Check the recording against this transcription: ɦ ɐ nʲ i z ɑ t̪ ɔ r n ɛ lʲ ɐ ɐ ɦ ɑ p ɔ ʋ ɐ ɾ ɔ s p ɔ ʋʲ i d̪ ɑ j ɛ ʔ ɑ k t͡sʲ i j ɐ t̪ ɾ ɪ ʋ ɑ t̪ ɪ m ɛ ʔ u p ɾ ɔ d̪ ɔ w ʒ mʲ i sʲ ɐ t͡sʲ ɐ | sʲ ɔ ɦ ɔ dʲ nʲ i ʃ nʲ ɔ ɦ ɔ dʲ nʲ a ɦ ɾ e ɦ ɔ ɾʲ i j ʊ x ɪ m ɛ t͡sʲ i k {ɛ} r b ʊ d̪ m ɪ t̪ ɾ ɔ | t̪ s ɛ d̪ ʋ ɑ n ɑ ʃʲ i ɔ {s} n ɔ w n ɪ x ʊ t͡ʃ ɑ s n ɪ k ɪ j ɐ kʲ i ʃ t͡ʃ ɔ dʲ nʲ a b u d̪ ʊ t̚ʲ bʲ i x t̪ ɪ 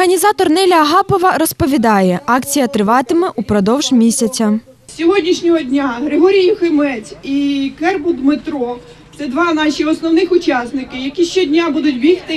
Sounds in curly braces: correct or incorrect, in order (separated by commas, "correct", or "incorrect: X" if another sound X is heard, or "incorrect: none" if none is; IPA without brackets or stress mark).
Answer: correct, correct